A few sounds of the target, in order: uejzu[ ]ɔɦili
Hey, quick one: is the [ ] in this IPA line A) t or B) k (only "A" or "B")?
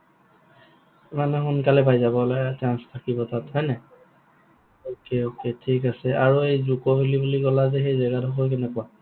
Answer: B